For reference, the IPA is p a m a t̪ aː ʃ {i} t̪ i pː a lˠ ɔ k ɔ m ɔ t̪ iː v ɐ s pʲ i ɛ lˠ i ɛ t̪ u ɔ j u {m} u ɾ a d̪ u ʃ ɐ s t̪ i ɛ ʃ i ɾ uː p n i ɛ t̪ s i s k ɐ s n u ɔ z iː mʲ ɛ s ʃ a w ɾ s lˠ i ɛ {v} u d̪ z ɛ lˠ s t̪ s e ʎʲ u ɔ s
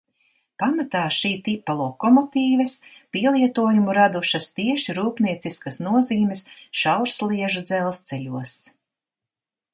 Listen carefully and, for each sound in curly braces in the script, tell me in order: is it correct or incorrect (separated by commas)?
incorrect, correct, incorrect